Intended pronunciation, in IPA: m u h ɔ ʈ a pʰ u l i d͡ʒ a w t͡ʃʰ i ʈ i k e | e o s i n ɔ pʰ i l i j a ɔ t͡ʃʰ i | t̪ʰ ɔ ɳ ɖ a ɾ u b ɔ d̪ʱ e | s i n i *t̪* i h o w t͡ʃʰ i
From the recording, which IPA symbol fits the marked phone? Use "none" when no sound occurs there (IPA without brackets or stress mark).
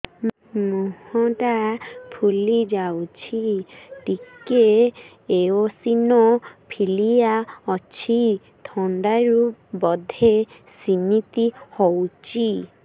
t̪